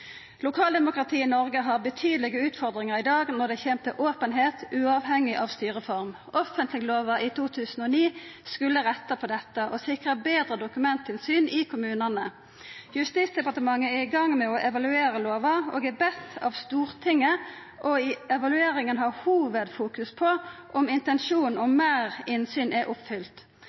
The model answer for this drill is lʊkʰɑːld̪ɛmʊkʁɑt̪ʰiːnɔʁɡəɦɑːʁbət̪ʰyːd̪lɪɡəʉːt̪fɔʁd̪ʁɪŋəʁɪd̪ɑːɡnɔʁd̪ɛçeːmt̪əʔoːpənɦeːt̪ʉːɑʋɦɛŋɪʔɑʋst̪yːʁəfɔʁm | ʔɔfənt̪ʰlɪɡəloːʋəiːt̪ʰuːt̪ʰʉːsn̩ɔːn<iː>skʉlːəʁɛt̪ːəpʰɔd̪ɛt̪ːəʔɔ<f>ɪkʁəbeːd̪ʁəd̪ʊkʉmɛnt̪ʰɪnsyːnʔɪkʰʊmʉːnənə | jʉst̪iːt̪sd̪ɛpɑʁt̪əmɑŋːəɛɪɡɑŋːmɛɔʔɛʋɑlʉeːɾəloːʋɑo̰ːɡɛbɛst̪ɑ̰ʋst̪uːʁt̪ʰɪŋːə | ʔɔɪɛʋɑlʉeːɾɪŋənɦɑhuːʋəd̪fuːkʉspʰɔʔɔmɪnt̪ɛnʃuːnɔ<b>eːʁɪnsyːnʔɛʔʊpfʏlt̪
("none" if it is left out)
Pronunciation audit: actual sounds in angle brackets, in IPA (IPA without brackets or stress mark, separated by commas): iː, s, m